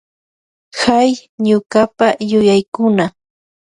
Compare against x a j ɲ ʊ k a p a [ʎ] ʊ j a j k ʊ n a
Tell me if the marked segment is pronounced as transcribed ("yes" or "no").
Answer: no